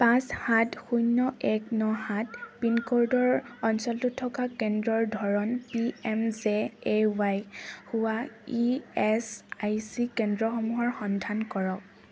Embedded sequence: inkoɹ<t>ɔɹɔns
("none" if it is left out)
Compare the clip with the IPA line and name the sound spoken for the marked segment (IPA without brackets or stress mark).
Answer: d